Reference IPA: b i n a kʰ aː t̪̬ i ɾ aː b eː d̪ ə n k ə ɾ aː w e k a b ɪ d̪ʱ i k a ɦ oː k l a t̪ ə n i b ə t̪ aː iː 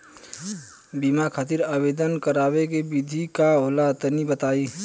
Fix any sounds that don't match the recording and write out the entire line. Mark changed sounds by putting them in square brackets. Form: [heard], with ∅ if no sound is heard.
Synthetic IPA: b i [m] a kʰ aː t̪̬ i ɾ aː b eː d̪ ə n k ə ɾ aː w e k [e] b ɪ d̪ʱ i k a ɦ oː [∅] l a t̪ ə n i b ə t̪ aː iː